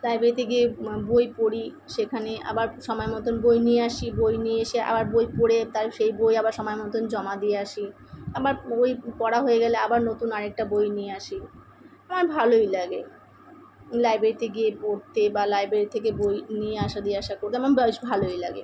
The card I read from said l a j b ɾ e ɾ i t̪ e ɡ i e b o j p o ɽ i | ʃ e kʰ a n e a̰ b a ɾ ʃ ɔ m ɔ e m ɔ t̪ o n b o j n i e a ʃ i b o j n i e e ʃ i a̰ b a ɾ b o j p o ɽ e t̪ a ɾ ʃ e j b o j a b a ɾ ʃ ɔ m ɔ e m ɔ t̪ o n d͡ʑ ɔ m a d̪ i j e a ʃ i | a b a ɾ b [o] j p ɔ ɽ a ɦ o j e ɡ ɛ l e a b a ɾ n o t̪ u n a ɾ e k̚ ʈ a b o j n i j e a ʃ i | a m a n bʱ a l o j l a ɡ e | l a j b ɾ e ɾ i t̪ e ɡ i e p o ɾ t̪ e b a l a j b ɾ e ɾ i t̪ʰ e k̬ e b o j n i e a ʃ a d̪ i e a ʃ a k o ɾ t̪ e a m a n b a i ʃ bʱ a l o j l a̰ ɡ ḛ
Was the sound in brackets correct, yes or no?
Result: yes